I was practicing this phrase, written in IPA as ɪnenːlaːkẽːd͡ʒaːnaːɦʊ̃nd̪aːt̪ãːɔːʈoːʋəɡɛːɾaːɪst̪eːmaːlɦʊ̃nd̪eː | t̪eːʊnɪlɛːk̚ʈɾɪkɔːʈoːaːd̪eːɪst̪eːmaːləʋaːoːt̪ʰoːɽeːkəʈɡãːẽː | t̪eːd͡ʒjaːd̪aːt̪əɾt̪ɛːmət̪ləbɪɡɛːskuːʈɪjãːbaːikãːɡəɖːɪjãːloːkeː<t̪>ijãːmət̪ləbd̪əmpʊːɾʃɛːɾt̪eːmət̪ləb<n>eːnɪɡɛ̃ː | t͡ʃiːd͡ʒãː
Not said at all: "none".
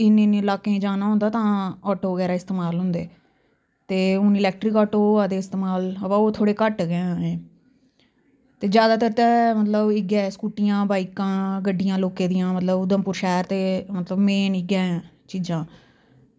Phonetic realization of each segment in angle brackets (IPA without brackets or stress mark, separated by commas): d̪, m